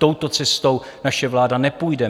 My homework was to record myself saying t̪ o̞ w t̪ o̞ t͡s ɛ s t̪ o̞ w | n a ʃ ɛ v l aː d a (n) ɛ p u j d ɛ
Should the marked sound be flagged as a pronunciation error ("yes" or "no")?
no